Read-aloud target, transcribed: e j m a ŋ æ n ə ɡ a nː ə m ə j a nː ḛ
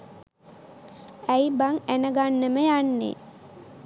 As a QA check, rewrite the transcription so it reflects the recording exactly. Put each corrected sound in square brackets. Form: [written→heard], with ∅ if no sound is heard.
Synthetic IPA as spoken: [e→æ] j [m→b] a ŋ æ n ə ɡ a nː ə m ə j a nː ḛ